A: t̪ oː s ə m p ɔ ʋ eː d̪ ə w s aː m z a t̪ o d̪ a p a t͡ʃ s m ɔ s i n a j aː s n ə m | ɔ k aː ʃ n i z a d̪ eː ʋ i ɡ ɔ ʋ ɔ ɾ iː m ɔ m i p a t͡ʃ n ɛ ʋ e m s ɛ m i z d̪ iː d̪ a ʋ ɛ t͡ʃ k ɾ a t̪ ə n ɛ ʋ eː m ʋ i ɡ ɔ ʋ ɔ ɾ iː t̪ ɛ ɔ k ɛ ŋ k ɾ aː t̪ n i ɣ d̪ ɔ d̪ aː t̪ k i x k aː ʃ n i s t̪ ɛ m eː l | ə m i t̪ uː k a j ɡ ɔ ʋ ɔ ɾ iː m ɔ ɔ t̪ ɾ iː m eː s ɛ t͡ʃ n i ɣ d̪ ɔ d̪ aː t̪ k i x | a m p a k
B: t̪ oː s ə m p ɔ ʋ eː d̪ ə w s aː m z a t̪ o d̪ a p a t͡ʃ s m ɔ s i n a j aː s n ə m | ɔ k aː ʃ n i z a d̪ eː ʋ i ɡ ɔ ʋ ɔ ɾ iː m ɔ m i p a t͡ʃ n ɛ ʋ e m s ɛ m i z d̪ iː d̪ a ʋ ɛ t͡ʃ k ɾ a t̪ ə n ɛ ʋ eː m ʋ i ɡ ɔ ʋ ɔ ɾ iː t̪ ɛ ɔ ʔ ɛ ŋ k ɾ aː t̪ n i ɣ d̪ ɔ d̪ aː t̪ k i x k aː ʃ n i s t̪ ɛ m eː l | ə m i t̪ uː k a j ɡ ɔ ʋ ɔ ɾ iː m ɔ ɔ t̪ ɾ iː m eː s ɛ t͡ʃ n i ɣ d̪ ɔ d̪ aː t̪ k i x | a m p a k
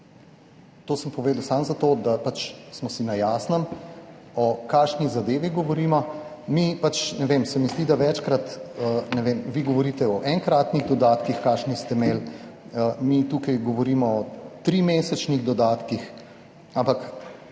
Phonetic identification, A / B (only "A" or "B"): B